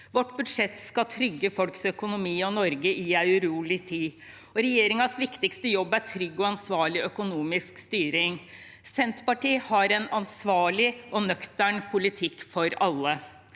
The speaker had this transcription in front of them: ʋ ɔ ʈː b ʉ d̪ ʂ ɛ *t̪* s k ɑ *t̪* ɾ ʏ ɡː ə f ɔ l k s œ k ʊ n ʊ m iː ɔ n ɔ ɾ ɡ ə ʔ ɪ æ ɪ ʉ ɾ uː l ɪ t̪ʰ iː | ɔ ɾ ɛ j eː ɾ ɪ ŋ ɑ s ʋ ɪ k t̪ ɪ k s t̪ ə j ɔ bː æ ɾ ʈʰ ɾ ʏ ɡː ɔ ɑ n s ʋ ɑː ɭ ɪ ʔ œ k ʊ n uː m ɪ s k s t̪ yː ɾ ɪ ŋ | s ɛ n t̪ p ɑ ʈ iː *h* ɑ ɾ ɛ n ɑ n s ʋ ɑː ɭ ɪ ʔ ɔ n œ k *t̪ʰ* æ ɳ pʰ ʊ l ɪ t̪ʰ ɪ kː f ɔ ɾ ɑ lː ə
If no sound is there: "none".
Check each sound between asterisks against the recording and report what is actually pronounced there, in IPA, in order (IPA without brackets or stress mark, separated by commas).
t̪, t̪ʰ, h, t̪